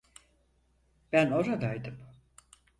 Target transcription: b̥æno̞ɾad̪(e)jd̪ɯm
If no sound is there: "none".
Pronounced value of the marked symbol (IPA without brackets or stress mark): a